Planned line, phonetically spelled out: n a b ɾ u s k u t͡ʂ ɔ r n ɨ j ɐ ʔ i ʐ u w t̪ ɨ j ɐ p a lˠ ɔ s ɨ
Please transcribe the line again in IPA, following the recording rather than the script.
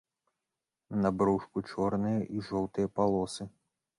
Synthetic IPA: n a b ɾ u ʂ k u t͡ʂ ɔ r n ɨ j ɐ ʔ i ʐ ɔ w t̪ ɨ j ɐ p a lˠ ɔ s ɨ